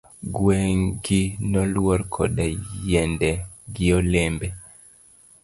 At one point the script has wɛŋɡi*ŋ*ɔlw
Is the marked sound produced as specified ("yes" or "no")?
no